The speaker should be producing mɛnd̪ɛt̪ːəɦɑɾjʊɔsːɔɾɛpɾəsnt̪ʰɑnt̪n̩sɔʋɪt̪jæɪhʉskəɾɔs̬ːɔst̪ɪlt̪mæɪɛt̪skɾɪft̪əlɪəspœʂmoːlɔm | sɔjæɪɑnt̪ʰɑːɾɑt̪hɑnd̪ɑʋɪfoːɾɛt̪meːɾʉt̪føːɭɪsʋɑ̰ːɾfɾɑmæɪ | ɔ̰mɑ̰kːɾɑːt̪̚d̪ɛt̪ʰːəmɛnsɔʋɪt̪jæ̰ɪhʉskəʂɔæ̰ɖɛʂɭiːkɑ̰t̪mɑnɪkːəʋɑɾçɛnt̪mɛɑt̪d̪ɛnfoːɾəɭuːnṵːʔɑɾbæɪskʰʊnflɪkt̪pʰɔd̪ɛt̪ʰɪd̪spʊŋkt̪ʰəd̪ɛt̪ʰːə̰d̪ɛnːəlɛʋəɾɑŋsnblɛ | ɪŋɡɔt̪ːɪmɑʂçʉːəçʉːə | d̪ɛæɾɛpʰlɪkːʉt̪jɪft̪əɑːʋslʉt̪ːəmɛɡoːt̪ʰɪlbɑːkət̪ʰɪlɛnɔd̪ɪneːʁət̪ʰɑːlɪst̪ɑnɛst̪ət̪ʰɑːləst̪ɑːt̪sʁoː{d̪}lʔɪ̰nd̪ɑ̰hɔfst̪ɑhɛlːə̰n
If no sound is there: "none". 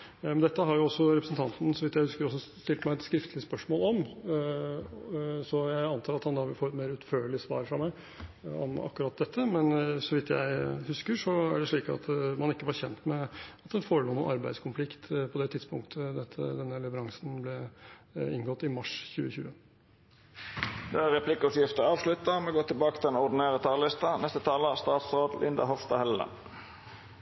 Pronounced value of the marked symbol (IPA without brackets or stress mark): d̪